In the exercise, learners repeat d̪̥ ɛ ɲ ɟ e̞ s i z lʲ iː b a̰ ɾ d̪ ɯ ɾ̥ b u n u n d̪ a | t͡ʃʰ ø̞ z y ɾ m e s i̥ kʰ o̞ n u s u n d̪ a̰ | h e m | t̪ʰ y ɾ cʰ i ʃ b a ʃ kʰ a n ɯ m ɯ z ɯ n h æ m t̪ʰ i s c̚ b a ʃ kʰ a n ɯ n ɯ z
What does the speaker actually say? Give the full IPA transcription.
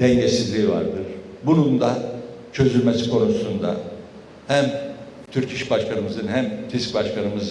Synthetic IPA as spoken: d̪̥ ɛ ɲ ɟ e̞ s i z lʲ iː v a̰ ɾ d̪ ɯ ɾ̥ b u n u n d̪ a | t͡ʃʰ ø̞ z y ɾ m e s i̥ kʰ o̞ n u s u n d̪ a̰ | h æ m | t̪ʰ y ɾ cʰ i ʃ b a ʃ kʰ a n ɯ m ɯ z ɯ n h æ m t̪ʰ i s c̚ b a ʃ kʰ a n ɯ m ɯ z